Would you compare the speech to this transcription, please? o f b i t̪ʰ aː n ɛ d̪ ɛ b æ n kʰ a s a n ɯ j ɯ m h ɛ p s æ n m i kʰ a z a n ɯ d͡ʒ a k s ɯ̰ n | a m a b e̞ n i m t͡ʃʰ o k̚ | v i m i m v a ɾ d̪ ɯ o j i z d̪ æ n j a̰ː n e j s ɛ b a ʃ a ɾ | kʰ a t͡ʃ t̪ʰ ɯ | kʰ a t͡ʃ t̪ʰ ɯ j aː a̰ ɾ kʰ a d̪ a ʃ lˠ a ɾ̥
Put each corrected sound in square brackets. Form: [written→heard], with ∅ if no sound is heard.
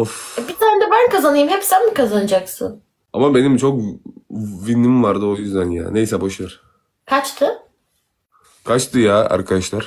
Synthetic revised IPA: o f b i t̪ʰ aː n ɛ d̪ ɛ b æ n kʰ a [s→z] a n ɯ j ɯ m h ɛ p s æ n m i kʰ a z a n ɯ d͡ʒ a k s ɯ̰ n | a m a b e̞ n i m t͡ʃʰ o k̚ | v i [m→n] i m v a ɾ d̪ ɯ o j [i→y] z d̪ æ n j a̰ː n e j s ɛ b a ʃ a ɾ | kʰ a t͡ʃ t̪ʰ ɯ | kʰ a t͡ʃ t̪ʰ ɯ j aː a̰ ɾ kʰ a d̪ a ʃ lˠ a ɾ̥